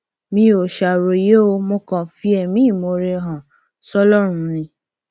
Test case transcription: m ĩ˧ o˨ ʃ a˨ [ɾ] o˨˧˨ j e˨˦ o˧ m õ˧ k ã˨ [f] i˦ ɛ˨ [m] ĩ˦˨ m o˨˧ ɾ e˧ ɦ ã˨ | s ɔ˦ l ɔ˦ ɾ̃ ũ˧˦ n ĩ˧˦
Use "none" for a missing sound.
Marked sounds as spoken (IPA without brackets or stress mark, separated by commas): ɾ, f, m